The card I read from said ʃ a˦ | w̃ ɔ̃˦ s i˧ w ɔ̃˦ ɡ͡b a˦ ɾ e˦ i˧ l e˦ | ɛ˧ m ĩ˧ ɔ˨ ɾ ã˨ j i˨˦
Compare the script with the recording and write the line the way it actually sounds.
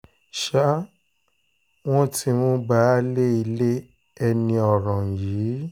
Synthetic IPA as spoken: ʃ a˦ | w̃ ɔ̃˦ t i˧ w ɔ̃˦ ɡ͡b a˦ l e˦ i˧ l e˦ | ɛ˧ n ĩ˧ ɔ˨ ɾ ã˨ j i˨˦